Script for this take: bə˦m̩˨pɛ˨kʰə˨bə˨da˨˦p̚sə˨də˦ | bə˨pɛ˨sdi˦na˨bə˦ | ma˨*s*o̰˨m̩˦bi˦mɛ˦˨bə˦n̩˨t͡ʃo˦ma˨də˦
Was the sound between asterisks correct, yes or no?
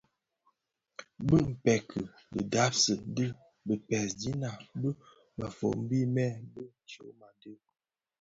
no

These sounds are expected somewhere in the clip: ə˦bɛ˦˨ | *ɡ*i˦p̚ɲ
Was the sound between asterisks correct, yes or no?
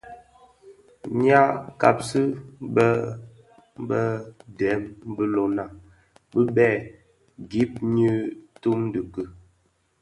yes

